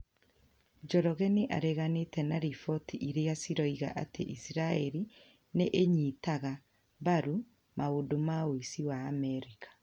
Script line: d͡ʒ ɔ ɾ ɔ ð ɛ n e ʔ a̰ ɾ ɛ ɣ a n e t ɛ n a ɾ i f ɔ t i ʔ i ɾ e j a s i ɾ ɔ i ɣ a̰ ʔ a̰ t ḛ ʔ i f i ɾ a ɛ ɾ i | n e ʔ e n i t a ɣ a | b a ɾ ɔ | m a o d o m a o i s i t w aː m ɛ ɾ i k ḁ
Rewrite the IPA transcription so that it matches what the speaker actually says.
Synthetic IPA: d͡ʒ ɔ ɾ ɔ ɣ ɛ n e ʔ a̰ ɾ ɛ ɣ a n e t ɛ n a ɾ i f ɔ t i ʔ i ɾ e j a s i ɾ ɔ i ɣ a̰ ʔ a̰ t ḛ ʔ i s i ɾ a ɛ ɾ i | n e ʔ e ɲ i t a ɣ a | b a ɾ u | m a o d o m a o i s i w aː m ɛ ɾ i k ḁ